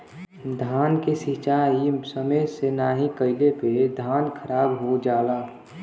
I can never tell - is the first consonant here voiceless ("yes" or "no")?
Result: no